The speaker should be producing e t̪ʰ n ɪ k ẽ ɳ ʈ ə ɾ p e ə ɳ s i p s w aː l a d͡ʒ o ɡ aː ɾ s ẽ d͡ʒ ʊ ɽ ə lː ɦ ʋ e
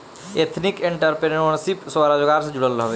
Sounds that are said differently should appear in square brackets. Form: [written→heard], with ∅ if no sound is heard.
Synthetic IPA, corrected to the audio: e t̪ʰ n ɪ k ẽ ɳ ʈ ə ɾ p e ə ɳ s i p s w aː [l→ɾ] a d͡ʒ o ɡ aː ɾ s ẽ d͡ʒ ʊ ɽ ə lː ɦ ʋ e